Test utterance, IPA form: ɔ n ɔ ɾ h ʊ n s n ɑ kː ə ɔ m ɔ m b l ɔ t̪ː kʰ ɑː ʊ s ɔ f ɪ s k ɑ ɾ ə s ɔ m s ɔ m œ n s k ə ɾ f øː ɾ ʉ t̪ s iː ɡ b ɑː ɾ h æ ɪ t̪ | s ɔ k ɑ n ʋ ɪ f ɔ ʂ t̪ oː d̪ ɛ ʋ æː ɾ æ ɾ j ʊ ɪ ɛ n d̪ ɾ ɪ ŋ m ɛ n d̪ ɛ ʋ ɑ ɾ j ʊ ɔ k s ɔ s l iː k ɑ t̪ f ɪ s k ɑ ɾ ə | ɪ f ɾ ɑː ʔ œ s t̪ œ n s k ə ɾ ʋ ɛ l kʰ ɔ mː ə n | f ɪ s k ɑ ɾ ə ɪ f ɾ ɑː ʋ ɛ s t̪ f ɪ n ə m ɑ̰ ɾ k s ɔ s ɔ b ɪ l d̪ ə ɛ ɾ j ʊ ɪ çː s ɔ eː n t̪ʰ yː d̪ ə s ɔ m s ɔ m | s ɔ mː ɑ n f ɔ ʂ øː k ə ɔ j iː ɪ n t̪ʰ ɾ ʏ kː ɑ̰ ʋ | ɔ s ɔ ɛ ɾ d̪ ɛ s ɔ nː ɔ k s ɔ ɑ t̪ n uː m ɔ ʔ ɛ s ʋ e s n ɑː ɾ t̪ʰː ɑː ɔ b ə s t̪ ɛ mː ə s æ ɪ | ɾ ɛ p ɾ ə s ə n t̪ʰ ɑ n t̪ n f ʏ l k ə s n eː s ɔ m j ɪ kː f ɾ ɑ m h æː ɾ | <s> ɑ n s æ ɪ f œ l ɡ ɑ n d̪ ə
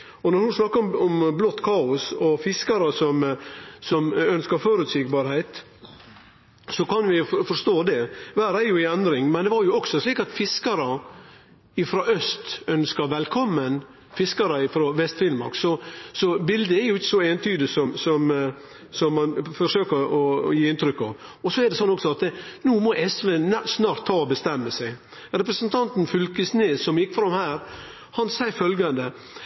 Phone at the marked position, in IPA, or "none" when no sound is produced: h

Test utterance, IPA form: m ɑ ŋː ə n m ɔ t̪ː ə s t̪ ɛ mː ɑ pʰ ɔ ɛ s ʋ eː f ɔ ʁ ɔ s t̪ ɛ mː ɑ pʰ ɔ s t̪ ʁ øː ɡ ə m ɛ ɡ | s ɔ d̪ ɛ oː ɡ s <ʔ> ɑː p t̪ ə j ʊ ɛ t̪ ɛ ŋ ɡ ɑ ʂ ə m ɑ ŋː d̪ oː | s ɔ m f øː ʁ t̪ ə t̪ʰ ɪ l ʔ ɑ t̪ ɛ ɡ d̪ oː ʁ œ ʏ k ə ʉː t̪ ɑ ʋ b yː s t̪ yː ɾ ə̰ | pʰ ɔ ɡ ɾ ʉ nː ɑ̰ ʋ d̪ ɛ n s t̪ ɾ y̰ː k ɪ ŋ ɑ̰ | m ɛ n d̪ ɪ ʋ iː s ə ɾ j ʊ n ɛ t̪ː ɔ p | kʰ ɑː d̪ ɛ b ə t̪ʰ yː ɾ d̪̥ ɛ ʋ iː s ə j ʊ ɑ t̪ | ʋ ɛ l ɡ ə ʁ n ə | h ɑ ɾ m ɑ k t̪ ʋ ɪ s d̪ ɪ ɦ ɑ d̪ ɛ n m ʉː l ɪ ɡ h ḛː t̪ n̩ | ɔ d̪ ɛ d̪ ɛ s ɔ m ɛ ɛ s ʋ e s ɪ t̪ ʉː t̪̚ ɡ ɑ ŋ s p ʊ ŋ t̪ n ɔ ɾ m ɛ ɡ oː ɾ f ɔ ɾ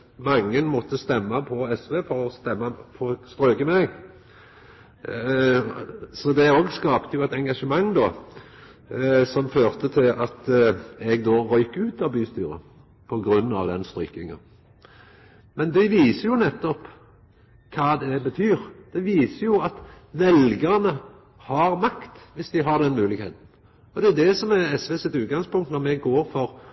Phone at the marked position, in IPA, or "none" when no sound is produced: k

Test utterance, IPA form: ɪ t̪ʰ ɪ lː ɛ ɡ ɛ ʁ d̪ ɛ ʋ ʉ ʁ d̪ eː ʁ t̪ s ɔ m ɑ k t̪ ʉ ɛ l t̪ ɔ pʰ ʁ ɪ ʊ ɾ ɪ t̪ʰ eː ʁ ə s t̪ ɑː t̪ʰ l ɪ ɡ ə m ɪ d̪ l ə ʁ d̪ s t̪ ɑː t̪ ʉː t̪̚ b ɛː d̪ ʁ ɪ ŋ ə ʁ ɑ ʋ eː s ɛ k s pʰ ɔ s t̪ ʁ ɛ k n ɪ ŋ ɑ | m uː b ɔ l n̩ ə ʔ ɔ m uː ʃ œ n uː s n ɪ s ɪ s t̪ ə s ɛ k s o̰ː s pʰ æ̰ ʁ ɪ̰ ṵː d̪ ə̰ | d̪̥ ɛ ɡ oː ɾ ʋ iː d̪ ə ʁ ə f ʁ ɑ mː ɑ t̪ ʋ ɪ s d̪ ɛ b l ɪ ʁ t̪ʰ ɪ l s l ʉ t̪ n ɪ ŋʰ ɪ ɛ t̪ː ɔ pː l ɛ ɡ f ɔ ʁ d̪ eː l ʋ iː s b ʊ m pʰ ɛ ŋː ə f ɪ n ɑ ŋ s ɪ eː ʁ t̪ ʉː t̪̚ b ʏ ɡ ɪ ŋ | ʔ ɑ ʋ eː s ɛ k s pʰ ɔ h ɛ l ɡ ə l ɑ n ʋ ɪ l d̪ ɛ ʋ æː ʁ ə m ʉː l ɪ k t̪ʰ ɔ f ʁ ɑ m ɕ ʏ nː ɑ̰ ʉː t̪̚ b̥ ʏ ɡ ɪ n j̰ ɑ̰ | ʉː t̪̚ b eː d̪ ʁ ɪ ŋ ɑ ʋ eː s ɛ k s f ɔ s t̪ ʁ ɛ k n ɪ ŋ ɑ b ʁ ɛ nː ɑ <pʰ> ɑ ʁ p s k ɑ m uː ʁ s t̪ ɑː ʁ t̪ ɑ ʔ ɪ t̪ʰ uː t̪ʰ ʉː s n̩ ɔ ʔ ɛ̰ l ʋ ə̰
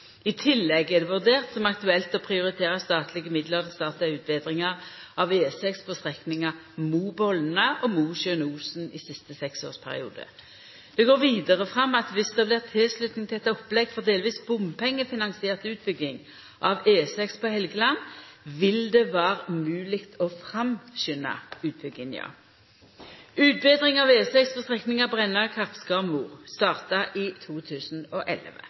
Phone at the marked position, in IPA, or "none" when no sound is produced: kʰ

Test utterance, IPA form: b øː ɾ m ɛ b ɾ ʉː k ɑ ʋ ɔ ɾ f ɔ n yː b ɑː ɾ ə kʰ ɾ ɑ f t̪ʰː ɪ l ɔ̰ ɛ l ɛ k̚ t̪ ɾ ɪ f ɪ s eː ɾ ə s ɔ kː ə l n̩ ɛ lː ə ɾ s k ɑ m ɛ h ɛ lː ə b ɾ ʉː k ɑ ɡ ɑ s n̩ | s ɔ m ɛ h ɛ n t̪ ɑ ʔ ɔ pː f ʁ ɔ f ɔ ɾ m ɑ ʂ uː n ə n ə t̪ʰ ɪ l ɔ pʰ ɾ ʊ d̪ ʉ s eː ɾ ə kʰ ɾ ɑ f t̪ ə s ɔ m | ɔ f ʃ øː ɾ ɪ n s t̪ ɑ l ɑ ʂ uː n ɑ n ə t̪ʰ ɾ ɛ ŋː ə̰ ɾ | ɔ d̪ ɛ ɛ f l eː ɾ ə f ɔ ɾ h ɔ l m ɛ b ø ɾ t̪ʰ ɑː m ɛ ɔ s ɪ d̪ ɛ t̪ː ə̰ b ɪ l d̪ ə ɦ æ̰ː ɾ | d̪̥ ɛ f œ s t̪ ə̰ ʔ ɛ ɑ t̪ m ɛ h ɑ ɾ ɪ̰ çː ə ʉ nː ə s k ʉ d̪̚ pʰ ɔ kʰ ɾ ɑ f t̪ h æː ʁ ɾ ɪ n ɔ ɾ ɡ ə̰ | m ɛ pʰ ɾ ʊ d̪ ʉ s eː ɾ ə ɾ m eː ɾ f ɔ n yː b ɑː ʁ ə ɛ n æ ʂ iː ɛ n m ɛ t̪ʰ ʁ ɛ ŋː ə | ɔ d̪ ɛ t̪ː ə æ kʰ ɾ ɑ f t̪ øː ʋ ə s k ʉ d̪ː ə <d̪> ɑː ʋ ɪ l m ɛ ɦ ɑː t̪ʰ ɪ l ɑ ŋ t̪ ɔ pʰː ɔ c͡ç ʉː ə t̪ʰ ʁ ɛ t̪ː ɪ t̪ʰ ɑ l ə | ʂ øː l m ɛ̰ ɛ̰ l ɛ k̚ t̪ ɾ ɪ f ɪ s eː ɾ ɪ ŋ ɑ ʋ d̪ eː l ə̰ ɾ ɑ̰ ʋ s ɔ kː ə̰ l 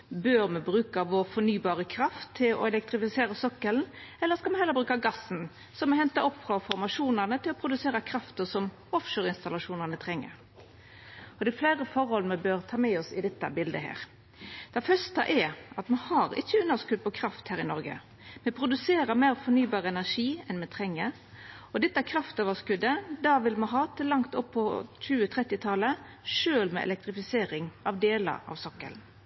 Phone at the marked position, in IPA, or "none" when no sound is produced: d̪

